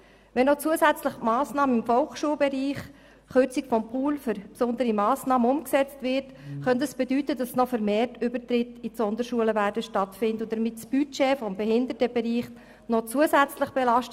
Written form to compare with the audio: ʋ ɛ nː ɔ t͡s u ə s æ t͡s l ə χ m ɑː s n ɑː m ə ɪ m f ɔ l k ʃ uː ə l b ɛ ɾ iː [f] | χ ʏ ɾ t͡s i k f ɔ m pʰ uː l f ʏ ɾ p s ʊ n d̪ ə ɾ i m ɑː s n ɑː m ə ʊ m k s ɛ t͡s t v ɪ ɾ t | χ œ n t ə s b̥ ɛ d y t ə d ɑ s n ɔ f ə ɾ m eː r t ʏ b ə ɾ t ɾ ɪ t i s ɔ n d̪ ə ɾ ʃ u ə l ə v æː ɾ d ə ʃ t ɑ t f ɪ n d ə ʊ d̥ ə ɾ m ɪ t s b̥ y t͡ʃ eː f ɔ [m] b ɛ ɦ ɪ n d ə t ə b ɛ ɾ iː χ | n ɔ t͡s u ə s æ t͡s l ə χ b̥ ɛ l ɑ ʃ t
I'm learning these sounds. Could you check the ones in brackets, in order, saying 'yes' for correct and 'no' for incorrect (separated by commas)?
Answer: no, yes